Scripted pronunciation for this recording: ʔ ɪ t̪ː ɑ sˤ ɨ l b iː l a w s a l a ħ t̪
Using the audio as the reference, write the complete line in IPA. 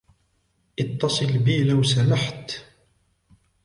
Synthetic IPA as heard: ʔ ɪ t̪ː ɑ sˤ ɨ l b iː l a w s a l a ħ t̪